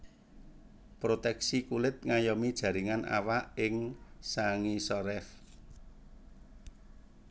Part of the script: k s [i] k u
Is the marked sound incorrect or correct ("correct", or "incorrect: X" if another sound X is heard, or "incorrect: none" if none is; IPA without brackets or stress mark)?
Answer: correct